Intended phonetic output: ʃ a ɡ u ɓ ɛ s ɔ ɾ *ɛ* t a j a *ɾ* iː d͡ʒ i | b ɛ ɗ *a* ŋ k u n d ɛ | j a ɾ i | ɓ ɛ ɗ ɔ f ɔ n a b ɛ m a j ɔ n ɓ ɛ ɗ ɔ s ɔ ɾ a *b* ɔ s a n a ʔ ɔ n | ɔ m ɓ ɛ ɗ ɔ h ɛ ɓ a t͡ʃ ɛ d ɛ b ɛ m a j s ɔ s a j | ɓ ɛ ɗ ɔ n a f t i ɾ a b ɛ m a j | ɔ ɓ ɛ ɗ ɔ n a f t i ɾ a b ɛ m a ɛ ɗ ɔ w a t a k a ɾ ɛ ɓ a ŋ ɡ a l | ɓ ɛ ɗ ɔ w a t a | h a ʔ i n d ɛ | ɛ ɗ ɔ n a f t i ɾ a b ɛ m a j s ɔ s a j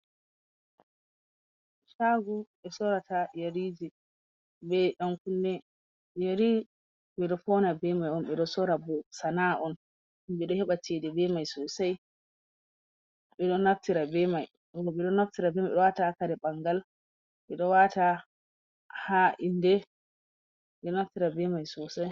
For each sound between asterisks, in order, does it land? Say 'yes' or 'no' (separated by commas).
no, yes, yes, yes